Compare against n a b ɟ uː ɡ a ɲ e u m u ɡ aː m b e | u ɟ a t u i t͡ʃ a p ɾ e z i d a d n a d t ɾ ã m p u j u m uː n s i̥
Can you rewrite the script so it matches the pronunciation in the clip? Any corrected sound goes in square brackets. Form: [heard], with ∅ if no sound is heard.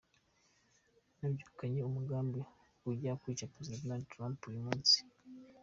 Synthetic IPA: n a b ɟ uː [k] a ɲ e u m u ɡ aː m b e | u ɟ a [k] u i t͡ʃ a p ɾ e z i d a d n a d t ɾ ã m p u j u m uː n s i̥

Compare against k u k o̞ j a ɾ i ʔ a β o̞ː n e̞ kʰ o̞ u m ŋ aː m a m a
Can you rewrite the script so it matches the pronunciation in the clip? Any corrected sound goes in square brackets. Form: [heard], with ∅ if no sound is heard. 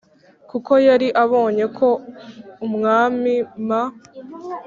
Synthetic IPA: k u k o̞ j a ɾ i ʔ a β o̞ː [ɲ] e̞ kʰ o̞ u m ŋ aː m [i] m a

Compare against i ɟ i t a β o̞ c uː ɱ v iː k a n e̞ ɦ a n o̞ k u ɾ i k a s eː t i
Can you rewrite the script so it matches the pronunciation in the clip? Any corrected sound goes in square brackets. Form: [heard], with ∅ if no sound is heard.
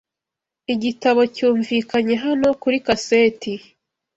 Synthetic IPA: i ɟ i t a β o̞ c uː ɱ v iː k a [ɲ] e̞ ɦ a n o̞ k u ɾ i k a s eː t i

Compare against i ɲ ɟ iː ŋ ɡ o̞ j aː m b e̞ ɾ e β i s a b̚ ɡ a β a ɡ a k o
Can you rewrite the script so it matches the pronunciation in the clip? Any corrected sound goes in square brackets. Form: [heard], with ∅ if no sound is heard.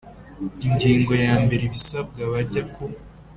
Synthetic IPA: i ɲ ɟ iː ŋ ɡ o̞ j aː m b e̞ ɾ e β i s a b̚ ɡ a β a [ɟ] a k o

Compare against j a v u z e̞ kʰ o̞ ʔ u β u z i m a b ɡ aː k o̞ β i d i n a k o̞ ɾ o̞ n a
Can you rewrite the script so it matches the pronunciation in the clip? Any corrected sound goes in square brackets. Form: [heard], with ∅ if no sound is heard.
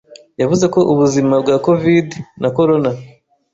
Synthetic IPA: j a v u z e̞ [k] o̞ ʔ u β u z i m a b ɡ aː k o̞ [v] i d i n a k o̞ ɾ o̞ n a

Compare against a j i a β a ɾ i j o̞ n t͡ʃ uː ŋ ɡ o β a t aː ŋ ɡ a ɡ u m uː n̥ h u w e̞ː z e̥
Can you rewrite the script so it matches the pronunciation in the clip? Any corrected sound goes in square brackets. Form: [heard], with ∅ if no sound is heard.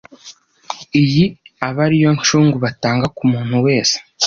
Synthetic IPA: [i] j i a β a ɾ i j o̞ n t͡ʃ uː ŋ ɡ [u] β a t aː ŋ ɡ a [k] u m uː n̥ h u w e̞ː [s] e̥

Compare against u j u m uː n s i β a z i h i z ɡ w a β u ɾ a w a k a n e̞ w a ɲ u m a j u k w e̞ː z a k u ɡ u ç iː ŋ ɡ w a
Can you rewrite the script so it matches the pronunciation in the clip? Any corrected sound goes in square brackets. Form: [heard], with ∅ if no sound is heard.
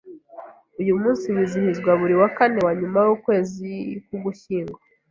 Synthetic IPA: u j u m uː n s i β [i] z i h i z ɡ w a β u ɾ [i] w a k a n e̞ w a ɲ u m a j u k w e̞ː z [i] k u ɡ u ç iː ŋ ɡ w a

